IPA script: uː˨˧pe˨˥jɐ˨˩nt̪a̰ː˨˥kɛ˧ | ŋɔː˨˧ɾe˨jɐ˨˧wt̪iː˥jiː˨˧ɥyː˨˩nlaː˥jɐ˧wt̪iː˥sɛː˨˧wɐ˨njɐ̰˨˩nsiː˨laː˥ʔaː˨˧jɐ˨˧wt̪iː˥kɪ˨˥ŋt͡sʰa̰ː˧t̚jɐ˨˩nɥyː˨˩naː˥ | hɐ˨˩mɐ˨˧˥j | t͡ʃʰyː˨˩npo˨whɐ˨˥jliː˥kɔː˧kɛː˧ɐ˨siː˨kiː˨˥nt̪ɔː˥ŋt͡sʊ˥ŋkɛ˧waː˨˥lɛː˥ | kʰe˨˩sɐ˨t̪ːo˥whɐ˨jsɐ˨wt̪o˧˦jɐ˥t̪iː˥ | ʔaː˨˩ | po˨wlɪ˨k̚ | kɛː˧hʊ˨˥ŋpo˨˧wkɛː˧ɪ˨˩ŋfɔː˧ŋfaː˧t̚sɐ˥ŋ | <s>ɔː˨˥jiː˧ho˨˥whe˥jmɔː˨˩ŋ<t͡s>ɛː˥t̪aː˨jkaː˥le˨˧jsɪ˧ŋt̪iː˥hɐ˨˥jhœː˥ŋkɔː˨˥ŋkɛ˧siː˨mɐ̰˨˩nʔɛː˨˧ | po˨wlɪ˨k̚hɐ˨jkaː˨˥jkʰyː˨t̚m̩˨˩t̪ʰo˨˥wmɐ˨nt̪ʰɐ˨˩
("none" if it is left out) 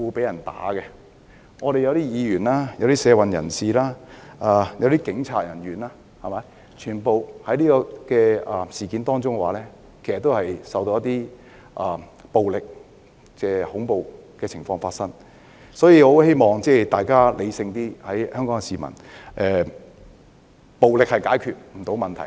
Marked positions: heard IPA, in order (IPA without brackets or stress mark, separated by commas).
s, t͡s